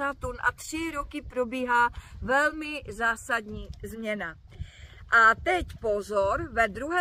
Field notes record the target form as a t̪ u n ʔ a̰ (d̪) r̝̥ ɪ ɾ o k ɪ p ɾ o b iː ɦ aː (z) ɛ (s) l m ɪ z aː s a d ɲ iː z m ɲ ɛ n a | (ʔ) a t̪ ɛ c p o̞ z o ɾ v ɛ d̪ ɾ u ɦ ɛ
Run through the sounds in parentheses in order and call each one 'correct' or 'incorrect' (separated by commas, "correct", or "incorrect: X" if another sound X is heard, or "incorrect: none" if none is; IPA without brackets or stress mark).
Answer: incorrect: t̪, incorrect: v, incorrect: none, correct